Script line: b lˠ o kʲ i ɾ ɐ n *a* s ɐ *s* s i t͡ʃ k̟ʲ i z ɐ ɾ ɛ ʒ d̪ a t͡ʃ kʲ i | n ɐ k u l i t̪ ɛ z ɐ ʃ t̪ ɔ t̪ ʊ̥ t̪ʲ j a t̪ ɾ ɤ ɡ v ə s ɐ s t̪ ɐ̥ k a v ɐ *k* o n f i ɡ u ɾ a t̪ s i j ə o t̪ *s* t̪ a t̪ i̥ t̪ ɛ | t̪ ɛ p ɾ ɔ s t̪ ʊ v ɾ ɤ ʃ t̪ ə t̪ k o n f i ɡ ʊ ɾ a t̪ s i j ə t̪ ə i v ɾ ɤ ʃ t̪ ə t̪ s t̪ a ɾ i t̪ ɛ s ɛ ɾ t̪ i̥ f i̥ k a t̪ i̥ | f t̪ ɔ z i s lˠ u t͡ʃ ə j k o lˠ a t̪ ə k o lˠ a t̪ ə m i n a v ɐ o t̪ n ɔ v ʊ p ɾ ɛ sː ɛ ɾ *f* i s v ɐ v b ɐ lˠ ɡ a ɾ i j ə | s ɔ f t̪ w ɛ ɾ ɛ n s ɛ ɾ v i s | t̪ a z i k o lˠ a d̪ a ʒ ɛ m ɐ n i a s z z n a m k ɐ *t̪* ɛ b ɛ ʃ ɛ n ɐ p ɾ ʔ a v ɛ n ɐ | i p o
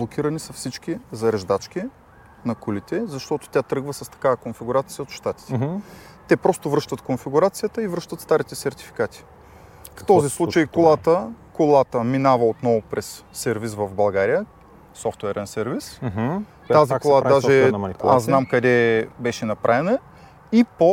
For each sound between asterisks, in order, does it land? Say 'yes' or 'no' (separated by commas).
no, no, yes, no, no, no